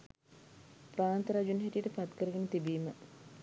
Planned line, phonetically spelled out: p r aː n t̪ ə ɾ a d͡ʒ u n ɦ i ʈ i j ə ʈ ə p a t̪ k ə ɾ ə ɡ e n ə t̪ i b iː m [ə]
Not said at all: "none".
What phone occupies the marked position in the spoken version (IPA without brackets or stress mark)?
ə